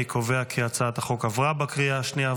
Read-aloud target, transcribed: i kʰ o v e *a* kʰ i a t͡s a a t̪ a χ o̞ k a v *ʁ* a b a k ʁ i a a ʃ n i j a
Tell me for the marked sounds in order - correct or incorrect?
correct, correct

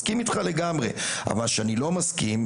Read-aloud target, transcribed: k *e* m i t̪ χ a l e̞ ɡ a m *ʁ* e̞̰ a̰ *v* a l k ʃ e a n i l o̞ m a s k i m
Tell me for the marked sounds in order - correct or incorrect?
incorrect: i, correct, correct

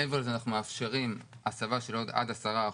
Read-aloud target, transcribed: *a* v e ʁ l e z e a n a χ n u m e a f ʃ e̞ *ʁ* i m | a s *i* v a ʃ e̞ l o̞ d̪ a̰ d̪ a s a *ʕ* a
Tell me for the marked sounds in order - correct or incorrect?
incorrect: e, correct, incorrect: a, incorrect: ʁ

